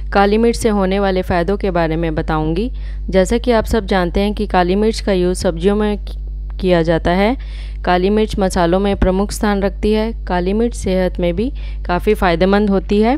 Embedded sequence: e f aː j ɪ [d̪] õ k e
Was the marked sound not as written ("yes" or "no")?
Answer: no